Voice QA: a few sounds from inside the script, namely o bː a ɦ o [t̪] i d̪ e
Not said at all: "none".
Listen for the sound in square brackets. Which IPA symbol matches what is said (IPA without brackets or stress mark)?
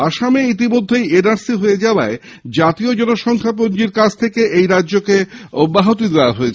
t̪